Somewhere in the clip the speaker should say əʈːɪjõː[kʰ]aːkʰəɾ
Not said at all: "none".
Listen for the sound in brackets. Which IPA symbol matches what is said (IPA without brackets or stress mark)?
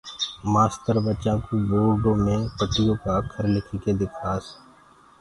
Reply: k